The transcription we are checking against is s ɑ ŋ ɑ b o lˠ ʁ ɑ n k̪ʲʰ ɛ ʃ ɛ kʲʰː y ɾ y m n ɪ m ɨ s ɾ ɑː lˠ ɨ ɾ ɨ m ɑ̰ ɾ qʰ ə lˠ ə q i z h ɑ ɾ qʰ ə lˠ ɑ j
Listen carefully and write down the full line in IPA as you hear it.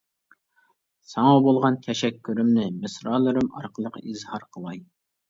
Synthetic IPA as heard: s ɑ ŋ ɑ b o lˠ ʁ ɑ n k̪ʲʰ ɛ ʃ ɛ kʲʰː y ɾ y m n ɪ m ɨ s ɾ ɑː lˠ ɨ ɾ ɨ m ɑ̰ ɾ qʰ ə lˠ ə q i z h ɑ ɾ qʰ ə lˠ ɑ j